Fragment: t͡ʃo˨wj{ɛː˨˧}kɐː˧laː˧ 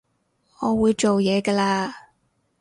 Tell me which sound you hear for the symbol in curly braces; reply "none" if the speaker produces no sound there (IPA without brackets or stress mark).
ɛː˨˧